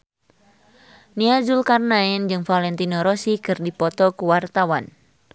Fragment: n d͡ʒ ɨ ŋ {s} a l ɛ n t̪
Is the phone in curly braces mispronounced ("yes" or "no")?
yes